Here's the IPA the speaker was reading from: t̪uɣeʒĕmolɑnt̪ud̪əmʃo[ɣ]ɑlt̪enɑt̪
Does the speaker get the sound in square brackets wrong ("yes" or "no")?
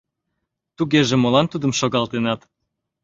no